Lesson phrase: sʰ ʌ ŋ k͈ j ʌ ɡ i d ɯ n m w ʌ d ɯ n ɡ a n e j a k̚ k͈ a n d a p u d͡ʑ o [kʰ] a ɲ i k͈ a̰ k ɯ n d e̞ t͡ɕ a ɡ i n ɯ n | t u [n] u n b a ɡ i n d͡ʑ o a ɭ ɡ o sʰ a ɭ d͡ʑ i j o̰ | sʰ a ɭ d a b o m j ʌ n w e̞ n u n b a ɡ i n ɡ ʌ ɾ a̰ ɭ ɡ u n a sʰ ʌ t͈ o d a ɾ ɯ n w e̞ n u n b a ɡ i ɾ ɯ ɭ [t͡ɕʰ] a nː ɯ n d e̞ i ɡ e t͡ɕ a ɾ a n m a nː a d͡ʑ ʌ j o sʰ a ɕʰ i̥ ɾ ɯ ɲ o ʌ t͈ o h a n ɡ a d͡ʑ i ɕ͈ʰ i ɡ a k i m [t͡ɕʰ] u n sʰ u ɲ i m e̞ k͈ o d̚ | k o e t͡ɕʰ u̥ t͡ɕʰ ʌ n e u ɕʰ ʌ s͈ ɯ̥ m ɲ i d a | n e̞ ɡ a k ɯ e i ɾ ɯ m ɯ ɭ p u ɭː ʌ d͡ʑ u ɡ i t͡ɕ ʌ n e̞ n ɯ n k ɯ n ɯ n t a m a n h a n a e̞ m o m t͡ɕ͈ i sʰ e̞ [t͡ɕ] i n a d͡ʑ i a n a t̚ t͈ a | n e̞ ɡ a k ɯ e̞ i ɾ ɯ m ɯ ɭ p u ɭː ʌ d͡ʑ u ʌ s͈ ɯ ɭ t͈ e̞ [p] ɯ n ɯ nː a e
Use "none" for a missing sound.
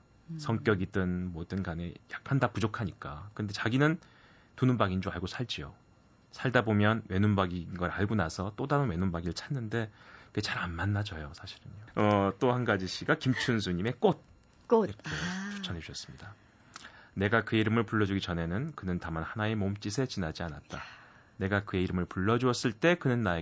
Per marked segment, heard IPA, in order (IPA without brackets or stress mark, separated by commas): kʰ, n, t͡ɕʰ, t͡ɕʰ, t͡ɕ, k